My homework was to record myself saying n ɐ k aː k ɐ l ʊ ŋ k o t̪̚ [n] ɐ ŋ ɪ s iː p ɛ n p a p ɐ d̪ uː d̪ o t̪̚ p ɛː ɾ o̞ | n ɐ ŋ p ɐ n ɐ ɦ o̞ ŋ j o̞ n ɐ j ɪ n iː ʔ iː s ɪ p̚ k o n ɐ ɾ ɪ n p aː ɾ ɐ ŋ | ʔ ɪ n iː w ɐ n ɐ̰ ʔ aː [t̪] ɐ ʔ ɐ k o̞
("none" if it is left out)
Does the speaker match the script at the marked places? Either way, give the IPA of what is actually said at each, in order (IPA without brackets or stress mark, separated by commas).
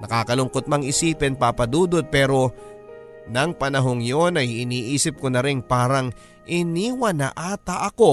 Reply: m, t̪